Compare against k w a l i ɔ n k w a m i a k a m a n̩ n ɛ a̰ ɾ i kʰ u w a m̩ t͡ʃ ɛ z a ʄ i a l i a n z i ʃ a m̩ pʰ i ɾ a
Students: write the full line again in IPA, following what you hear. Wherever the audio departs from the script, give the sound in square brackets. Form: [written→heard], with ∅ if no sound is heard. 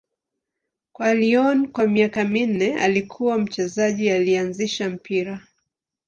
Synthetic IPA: k w a l i ɔ n k w a m i a k a m [a→i] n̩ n ɛ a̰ [ɾ→l] i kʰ u w a m̩ t͡ʃ ɛ z a ʄ i a l i a n z i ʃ a m̩ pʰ i ɾ a